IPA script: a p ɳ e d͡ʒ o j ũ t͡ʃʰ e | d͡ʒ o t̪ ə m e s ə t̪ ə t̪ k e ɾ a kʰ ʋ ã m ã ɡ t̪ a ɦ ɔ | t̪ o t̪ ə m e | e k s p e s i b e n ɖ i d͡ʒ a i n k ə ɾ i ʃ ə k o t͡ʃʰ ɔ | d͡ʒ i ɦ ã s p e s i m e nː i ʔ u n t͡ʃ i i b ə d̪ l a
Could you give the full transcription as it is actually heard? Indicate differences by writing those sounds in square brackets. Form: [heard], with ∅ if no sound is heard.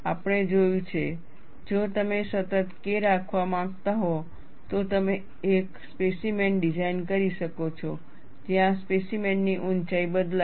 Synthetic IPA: a p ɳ e d͡ʒ o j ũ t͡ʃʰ e | d͡ʒ o t̪ ə m e s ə t̪ ə t̪ k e ɾ a kʰ ʋ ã m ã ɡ t̪ a ɦ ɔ | t̪ o t̪ ə m e | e k s p e s i [m] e n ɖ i d͡ʒ a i n k ə ɾ i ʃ ə k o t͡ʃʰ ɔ | d͡ʒ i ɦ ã s p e s i m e nː i ʔ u n t͡ʃ [a] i b ə d̪ l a